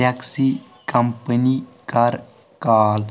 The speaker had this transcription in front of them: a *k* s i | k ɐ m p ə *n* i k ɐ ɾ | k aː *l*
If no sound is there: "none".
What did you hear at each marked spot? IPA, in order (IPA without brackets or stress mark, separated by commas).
k, n, l